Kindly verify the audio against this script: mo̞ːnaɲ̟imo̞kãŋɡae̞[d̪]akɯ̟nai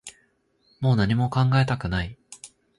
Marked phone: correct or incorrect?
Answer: incorrect